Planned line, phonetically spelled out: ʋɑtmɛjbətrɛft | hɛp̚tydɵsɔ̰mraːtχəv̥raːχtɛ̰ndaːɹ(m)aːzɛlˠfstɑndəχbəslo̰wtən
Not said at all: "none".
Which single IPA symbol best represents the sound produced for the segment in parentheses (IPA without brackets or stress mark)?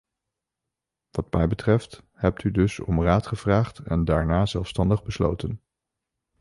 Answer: n